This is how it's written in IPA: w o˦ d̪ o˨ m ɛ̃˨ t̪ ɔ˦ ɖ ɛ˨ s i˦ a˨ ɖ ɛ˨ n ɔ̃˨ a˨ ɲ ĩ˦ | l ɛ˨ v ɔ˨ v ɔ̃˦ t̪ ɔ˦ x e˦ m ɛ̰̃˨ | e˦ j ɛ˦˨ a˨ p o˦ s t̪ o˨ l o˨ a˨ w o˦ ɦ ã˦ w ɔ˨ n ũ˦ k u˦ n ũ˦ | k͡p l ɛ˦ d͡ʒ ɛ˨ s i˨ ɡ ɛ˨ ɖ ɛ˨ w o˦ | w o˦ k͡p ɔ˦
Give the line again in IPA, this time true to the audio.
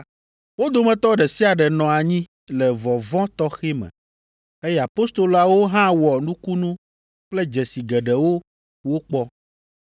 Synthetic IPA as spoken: w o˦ d̪ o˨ m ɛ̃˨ t̪ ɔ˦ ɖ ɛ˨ s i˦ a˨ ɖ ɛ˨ n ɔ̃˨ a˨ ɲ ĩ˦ | l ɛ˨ v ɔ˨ v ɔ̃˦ t̪ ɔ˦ x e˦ m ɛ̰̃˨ | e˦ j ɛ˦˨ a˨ p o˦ s t̪ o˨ l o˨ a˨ w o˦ ɦ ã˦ w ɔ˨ n ũ˦ k u˦ n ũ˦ | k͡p l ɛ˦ d͡ʒ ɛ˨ s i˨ ɡ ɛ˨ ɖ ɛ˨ w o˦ | w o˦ k͡p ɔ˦

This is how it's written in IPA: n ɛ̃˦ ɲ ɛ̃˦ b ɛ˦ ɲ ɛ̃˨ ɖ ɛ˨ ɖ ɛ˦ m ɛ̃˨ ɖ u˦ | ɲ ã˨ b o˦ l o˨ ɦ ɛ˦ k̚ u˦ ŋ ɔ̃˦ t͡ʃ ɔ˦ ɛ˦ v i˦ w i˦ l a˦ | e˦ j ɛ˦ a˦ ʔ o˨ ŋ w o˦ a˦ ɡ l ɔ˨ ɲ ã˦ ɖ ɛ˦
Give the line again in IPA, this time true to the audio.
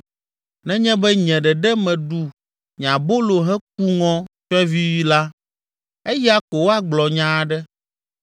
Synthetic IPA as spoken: n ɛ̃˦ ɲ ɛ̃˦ b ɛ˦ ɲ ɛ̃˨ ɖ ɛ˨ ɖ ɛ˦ m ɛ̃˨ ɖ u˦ | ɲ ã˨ b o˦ l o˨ ɦ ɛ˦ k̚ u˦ ŋ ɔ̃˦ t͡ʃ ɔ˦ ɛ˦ v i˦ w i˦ l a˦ | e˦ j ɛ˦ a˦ k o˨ w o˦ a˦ ɡ͡b l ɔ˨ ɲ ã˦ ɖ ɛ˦

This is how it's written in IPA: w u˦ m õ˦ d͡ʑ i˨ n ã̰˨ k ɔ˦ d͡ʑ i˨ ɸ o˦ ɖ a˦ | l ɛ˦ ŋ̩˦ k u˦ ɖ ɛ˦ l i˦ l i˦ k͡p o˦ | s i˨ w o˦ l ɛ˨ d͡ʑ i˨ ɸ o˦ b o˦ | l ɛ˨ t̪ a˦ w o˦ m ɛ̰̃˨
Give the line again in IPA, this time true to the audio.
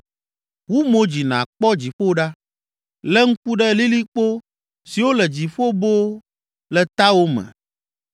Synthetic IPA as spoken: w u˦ m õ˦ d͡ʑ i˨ n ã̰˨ k͡p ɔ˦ d͡ʑ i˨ ɸ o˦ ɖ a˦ | l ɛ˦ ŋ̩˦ k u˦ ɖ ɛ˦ l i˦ l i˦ k͡p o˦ | s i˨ w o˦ l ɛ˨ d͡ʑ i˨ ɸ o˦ b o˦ | l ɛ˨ t̪ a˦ w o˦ m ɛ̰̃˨

